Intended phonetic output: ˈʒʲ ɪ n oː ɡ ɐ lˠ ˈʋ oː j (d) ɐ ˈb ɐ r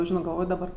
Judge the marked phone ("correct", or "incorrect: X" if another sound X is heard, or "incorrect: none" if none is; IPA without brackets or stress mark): correct